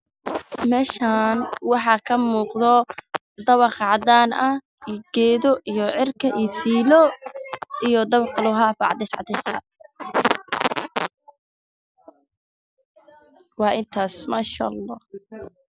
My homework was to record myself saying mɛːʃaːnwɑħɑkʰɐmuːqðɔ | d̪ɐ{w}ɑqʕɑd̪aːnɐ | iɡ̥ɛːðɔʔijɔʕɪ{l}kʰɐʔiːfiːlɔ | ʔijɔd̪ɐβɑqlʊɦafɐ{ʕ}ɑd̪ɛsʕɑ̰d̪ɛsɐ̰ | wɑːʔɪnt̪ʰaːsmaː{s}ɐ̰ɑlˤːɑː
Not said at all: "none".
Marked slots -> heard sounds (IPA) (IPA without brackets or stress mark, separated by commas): β, r, ʕ, ʃ